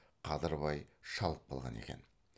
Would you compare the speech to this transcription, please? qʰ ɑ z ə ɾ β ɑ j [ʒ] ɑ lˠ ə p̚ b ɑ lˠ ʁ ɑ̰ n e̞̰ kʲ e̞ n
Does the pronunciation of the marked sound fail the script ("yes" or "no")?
yes